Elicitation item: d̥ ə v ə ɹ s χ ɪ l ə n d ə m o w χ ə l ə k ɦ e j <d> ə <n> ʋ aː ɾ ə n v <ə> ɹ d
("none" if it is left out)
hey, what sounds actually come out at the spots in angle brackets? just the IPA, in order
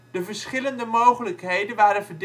d, n, ə

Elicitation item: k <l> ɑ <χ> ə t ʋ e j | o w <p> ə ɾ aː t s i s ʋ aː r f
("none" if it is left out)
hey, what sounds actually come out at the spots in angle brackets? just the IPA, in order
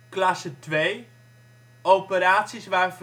l, s, p

